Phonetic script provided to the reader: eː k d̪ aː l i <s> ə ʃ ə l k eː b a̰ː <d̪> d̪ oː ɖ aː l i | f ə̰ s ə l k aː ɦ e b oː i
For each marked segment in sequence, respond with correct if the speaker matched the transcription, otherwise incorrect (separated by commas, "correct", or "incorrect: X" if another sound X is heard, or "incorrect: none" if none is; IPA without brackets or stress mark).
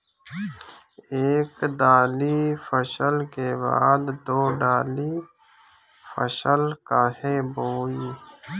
incorrect: f, correct